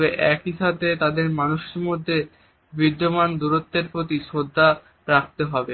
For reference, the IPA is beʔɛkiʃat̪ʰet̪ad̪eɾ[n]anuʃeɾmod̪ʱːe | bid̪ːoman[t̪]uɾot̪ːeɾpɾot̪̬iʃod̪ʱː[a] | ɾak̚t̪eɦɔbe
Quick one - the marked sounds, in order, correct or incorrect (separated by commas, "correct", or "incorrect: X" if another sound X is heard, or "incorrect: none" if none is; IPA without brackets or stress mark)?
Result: incorrect: m, incorrect: d̪, correct